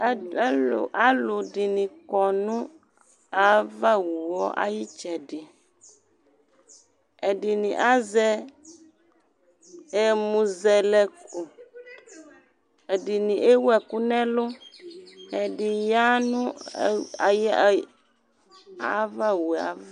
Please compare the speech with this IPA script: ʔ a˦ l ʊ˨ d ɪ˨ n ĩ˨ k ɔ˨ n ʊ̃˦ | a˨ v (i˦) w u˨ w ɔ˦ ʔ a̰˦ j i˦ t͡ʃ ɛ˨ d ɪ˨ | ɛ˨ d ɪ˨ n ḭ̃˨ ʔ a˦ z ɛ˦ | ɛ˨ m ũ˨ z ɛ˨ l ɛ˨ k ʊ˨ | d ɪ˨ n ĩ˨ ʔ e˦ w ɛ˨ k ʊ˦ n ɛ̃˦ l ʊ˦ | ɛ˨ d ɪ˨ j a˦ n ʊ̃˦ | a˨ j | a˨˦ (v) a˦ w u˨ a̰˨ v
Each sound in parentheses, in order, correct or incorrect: incorrect: a˦, correct

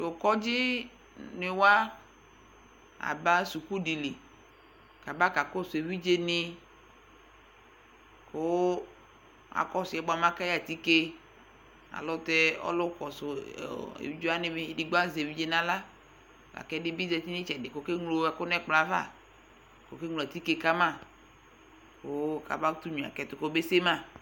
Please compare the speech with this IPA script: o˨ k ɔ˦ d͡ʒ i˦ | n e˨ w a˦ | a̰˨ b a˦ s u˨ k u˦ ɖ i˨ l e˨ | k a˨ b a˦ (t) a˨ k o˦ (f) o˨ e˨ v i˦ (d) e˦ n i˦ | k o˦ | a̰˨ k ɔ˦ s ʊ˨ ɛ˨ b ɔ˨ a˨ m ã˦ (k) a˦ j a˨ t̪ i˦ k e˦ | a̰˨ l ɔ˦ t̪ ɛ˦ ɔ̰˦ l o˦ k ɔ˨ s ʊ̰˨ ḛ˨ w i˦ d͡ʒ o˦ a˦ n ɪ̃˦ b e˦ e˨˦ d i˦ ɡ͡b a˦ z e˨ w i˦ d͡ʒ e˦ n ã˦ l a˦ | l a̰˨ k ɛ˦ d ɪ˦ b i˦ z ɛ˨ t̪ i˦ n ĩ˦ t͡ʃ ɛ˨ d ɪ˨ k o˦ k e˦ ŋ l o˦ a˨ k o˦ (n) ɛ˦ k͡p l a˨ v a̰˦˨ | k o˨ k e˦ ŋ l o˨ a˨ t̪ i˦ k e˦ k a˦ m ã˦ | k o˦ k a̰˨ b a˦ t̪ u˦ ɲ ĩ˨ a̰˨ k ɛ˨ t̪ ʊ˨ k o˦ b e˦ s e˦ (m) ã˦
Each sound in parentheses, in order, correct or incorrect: incorrect: k, incorrect: s, incorrect: d͡ʒ, correct, correct, correct

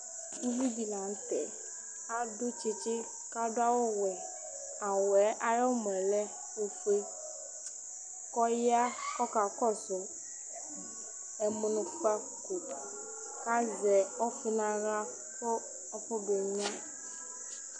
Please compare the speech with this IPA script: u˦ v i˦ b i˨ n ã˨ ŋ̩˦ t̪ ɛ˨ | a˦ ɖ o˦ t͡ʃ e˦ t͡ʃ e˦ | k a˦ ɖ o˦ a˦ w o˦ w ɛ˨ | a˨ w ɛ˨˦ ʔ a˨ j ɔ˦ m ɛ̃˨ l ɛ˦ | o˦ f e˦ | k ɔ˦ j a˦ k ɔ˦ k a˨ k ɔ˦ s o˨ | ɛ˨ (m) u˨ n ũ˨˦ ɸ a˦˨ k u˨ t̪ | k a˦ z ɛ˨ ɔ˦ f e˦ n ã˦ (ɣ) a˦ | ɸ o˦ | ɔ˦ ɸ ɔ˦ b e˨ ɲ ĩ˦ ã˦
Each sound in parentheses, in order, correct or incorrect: correct, correct

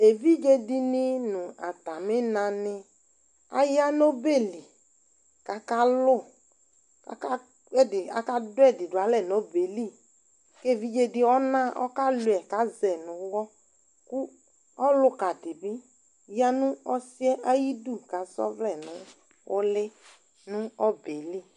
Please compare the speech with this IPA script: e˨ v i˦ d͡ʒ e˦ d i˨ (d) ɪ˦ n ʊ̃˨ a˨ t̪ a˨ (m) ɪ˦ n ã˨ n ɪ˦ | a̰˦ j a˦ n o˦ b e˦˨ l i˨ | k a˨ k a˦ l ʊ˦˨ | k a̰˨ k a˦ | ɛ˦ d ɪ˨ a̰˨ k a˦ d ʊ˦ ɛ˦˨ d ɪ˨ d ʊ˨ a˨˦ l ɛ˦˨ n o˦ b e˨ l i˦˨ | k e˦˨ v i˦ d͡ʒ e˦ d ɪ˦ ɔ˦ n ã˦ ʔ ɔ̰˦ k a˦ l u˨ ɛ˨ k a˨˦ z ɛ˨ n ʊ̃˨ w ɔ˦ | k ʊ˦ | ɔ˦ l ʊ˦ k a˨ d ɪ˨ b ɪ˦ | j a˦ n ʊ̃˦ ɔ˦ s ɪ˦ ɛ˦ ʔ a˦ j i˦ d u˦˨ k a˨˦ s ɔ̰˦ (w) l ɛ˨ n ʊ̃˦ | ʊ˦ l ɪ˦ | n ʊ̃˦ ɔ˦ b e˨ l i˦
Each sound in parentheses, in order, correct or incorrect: incorrect: n, correct, incorrect: v

